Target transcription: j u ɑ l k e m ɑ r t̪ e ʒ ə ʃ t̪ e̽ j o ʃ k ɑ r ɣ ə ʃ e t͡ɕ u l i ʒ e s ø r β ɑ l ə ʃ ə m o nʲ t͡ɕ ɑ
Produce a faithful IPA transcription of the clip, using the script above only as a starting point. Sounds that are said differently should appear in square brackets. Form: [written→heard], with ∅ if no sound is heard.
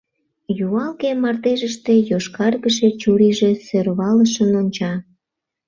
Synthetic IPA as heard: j u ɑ l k e m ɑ r t̪ e ʒ ə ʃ t̪ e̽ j o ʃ k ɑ r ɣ ə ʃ e t͡ɕ u [l→ɾ] i ʒ e s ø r β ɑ l ə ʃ ə [m→n] o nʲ t͡ɕ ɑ